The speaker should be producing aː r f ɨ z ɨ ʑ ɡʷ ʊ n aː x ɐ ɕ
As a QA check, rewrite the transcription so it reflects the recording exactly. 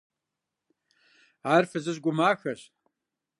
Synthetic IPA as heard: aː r f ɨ z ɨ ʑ ɡʷ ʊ m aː x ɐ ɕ